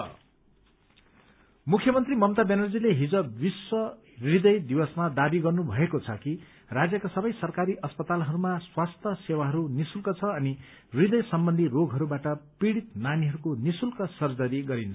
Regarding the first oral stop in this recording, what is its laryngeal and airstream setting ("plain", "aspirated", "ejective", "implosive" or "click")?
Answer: aspirated